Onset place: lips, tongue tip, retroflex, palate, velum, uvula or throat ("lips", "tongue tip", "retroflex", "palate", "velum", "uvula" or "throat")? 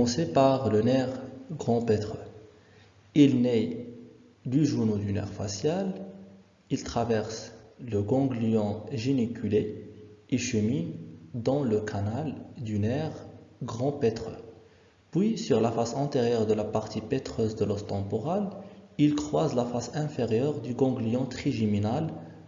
tongue tip